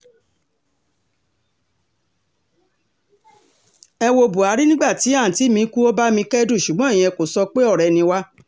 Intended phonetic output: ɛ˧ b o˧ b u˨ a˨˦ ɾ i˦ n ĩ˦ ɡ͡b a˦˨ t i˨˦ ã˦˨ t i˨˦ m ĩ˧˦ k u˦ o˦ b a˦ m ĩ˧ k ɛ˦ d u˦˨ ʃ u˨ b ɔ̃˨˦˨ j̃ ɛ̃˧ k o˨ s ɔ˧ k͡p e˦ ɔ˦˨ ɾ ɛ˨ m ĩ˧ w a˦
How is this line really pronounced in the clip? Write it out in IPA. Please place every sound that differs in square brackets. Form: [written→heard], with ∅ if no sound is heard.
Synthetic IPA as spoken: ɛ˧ [b→w] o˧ b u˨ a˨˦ ɾ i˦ n ĩ˦ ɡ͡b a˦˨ t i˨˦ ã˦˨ t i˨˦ m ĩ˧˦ k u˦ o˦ b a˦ m ĩ˧ k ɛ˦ d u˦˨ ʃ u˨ [b→ɡ͡b] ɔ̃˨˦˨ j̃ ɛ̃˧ k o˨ s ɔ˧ k͡p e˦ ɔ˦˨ ɾ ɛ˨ [m→n] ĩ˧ w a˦